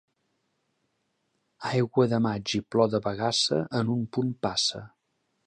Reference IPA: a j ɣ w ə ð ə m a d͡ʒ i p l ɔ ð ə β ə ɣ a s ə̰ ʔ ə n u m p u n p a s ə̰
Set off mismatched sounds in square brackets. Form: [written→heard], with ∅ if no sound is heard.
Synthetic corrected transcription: a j ɣ w ə ð ə m a d͡ʒ i p l ɔ ð ə β ə ɣ a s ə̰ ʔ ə n u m p u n p a s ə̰